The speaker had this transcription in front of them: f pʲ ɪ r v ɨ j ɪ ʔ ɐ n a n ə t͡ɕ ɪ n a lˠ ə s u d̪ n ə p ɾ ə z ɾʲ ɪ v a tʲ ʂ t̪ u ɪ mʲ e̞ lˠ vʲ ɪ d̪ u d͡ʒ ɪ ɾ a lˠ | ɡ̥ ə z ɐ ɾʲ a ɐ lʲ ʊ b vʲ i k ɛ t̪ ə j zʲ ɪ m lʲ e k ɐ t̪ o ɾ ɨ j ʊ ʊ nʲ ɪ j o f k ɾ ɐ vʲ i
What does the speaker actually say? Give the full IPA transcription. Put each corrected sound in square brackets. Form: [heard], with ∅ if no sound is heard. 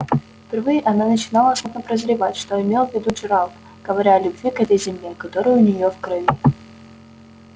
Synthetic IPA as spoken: f pʲ ɪ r v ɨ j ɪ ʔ ɐ n a n ə t͡ɕ ɪ n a lˠ ə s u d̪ n ə p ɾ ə z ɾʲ ɪ v a tʲ ʂ t̪ [o] ɪ mʲ e̞ lˠ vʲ ɪ d̪ u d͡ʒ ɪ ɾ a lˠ | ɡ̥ ə [v] ɐ ɾʲ a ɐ lʲ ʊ b vʲ i k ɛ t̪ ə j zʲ ɪ m lʲ e k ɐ t̪ o ɾ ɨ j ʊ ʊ nʲ ɪ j o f k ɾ ɐ vʲ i

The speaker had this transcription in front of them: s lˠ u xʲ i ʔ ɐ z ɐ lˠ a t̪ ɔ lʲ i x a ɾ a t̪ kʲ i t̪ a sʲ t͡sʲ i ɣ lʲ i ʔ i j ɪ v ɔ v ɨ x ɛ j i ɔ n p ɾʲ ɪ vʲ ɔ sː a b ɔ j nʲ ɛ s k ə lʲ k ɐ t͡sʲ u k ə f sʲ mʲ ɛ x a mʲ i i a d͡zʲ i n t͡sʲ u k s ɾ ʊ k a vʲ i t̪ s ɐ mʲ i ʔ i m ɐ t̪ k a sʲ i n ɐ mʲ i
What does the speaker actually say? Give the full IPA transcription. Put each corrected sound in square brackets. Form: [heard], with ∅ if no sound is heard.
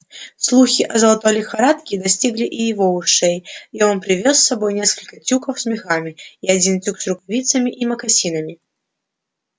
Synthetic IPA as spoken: s lˠ u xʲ i ʔ ɐ z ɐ lˠ a t̪ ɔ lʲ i x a ɾ a t̪ kʲ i [d̪] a sʲ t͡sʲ i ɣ lʲ i ʔ i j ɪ v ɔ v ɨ [ʂ] ɛ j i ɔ n p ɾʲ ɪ vʲ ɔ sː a b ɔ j nʲ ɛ s k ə lʲ k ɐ t͡sʲ u k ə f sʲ mʲ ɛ x a mʲ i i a d͡zʲ i n t͡sʲ u k s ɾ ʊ k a vʲ i t̪ s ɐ mʲ i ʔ i m ɐ [∅] k a sʲ i n ɐ mʲ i

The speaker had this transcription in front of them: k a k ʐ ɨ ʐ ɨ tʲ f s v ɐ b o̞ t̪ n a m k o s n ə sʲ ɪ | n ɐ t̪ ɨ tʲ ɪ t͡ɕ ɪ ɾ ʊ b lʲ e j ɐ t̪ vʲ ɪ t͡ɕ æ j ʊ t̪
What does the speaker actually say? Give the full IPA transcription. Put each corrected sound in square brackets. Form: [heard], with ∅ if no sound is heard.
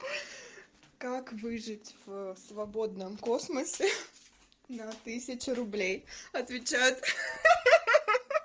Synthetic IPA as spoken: k a k [v] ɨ ʐ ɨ tʲ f s v ɐ b o̞ [d̪] n [ə] m k o s [m] ə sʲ ɪ | n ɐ t̪ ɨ [sʲ] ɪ t͡ɕ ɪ ɾ ʊ b lʲ e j ɐ t̪ vʲ ɪ t͡ɕ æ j ʊ t̪

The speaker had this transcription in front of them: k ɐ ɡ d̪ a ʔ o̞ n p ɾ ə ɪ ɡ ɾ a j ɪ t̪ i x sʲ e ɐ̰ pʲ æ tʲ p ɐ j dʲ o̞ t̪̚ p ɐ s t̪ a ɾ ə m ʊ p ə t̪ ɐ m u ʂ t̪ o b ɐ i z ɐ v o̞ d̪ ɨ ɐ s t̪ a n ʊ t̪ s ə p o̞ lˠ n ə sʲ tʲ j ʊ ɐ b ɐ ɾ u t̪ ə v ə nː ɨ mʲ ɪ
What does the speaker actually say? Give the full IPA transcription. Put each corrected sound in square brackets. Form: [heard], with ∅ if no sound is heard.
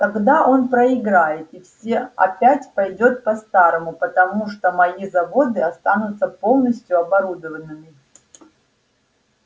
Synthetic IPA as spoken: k ɐ ɡ d̪ a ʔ o̞ n p ɾ ə ɪ ɡ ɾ a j ɪ t̪ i [f] sʲ e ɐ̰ pʲ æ tʲ p ɐ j dʲ o̞ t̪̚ p ɐ s t̪ a ɾ ə m ʊ p ə t̪ ɐ m u ʂ t̪ o [m] ɐ i z ɐ v o̞ d̪ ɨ ɐ s t̪ a n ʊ t̪ s ə p o̞ lˠ n ə sʲ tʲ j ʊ ɐ b ɐ ɾ u [d̪] ə v ə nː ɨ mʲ ɪ

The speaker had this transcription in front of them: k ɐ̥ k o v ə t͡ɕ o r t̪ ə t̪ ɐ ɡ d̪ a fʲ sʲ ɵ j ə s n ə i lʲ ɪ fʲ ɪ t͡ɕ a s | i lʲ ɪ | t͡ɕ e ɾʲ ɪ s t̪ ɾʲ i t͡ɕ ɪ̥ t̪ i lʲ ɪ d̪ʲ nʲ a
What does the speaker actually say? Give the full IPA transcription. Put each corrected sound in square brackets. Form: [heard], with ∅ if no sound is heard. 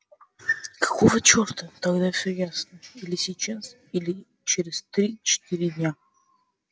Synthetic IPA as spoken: k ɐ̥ k o v ə t͡ɕ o r t̪ ə t̪ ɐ ɡ d̪ a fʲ sʲ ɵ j [a] s n ə i lʲ ɪ [sʲ] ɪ t͡ɕ a s | i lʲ ɪ | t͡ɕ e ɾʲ ɪ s t̪ ɾʲ i t͡ɕ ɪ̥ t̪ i [ɾʲ] ɪ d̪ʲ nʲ a

